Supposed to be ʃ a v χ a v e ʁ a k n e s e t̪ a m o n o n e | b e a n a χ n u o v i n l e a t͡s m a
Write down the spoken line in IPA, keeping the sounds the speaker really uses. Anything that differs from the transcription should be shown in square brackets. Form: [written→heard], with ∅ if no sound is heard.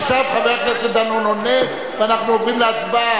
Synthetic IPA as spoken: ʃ a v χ a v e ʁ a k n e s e [t̪→d̪] a [m→n] o n o n e | [b→v] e a n a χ n u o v i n l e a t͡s [m→b] a